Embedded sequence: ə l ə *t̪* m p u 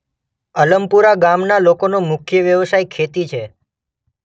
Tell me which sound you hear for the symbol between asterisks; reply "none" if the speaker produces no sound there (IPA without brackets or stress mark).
none